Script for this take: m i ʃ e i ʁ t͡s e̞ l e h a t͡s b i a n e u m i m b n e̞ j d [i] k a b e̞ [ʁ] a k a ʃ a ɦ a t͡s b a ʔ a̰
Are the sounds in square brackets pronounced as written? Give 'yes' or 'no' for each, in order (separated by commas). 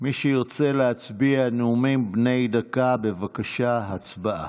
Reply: no, no